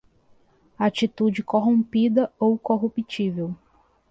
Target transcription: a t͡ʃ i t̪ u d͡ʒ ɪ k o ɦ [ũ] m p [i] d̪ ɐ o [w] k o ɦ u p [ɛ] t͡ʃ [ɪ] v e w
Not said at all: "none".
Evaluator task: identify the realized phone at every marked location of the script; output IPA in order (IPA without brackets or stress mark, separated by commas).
õ, i, w, i, i